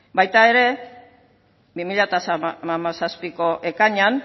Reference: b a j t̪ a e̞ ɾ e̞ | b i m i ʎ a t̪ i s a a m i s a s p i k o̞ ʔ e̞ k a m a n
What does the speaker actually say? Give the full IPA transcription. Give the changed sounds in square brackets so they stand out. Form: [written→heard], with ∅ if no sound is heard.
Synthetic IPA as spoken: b a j t̪ a e̞ ɾ e̞ | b i m i ʎ a t̪ [i→a] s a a m [i→a] s a s p i k o̞ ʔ e̞ k a [m→ɲ] a n